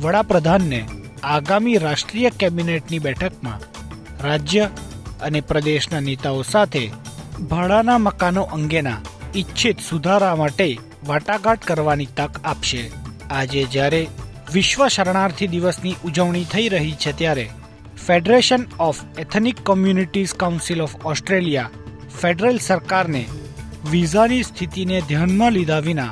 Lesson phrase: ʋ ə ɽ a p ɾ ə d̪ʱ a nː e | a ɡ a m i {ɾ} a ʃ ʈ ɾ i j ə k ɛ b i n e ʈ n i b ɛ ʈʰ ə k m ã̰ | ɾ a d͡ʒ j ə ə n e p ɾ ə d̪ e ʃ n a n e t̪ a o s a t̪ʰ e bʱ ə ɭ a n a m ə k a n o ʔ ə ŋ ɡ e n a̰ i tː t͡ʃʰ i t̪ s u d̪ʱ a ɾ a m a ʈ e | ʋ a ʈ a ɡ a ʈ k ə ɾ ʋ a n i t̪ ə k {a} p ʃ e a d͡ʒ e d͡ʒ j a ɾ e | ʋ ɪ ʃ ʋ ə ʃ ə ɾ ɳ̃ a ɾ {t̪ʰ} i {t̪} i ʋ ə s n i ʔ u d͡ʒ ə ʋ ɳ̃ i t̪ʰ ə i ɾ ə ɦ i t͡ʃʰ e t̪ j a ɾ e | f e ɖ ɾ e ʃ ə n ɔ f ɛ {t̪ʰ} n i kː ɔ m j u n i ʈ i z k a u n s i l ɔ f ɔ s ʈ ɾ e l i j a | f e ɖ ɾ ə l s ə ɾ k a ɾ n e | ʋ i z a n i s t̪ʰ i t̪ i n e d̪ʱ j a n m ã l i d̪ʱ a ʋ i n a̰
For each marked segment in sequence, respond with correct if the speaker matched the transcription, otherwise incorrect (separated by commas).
correct, correct, correct, incorrect, correct